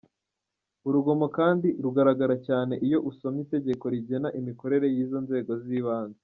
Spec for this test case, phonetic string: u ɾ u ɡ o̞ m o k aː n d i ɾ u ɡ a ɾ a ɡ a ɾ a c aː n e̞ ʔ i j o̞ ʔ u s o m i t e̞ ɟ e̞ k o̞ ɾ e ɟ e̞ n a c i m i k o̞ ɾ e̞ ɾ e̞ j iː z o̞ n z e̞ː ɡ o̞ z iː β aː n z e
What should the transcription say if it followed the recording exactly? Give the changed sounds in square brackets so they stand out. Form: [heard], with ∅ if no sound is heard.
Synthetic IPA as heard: u ɾ u ɡ o̞ m o k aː n d i ɾ u ɡ a ɾ a ɡ a ɾ a c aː n e̞ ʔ i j o̞ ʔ u s o m i t e̞ ɟ e̞ k o̞ ɾ [i] ɟ e̞ n a [ʔ] i m i k o̞ ɾ e̞ ɾ e̞ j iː z o̞ n z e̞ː ɡ o̞ z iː β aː n z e